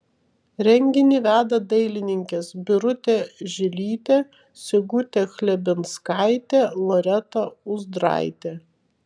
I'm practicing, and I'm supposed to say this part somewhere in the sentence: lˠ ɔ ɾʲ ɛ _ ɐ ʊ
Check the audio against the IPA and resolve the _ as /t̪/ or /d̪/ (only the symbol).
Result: t̪